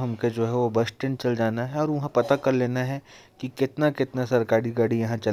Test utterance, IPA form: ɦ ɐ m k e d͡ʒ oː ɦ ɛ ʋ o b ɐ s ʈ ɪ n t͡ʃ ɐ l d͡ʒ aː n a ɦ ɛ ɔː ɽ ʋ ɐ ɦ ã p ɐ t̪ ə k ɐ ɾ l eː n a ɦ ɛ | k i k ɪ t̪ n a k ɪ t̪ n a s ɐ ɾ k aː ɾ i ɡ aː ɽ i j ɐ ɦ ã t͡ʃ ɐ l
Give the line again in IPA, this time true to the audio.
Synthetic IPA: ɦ ɐ m k e d͡ʒ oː ɦ ɛ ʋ o b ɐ s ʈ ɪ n t͡ʃ ɐ l d͡ʒ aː n a ɦ ɛ ɔː ɾ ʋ ɐ ɦ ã p ɐ t̪ a k ɐ ɾ l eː n a ɦ ɛ | k i k ɪ t̪ n a k ɪ t̪ n a s ɐ ɾ k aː ɾ i ɡ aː ɽ i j ɐ ɦ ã t͡ʃ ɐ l